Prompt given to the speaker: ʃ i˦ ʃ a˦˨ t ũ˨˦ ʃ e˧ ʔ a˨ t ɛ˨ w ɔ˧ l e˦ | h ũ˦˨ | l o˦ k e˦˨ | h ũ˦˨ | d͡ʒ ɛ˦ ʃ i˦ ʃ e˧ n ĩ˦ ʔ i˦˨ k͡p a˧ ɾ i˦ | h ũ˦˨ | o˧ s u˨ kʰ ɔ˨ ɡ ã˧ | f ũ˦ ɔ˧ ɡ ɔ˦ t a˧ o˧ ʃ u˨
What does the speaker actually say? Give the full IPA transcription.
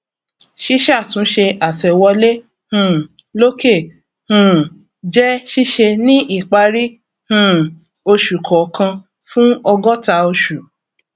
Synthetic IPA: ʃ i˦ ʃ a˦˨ t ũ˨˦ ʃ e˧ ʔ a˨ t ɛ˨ w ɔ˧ l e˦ | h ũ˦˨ | l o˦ k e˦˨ | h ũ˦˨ | d͡ʒ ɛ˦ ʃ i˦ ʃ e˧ n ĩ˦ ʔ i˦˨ k͡p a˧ ɾ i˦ | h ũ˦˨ | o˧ ʃ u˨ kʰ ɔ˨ k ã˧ | f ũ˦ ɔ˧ ɡ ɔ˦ t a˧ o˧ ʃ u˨